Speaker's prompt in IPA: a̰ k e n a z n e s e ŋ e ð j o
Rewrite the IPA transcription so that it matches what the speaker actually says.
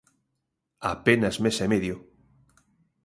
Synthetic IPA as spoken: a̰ p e n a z m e s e m e ð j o